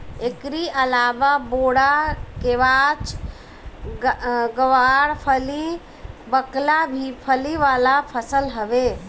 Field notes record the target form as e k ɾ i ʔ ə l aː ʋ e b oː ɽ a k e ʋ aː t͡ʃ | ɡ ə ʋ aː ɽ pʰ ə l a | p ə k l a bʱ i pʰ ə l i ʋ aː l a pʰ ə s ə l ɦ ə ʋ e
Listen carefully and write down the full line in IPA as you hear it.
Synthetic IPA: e k ɾ i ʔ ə l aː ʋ a b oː ɽ a k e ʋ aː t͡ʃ | ɡ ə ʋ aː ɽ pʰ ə l i | b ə k l a bʱ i pʰ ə l i ʋ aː l a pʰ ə s ə l ɦ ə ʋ e